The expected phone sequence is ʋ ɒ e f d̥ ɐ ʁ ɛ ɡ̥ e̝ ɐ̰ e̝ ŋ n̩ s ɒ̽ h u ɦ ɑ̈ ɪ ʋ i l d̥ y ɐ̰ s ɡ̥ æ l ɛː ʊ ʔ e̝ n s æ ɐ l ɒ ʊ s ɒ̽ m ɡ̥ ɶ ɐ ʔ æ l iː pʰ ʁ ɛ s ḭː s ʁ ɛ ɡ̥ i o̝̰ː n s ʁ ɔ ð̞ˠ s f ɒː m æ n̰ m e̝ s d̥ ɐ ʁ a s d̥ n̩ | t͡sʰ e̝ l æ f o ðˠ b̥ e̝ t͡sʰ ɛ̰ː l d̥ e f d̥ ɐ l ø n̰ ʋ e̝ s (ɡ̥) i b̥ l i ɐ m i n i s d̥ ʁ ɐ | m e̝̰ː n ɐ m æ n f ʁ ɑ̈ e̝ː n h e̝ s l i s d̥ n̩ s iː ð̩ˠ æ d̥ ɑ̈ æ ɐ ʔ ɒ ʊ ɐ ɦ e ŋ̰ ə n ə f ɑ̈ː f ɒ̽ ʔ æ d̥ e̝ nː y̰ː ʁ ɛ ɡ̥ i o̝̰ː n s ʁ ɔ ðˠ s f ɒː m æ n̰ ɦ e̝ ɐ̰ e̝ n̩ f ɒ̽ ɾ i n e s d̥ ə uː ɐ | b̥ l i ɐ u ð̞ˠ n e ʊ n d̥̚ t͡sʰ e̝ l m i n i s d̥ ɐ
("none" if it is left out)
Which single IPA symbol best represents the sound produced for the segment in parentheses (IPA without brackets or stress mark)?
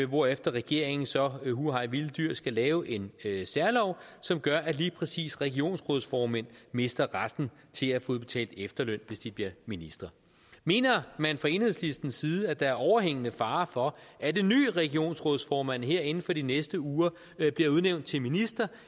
d̥